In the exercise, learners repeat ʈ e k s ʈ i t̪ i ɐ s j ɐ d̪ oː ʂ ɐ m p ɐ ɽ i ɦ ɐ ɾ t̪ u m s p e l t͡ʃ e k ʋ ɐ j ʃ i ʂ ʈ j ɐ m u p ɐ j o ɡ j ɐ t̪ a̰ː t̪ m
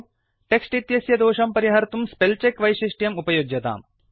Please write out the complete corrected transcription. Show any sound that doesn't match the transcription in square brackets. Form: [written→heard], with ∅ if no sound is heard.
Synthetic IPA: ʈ e k s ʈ i t̪ [i→j] ɐ s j ɐ d̪ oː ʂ ɐ m p ɐ [ɽ→ɾ] i ɦ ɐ ɾ t̪ u m s p e l t͡ʃ e k ʋ ɐ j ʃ i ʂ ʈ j ɐ m u p ɐ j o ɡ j ɐ t̪ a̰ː [t̪→∅] m